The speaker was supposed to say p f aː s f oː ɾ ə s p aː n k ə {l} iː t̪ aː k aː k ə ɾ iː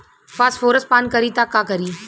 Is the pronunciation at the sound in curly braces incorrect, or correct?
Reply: incorrect